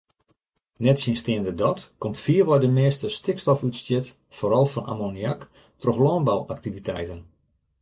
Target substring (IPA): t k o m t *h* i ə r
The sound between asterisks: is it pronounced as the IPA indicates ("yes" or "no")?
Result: no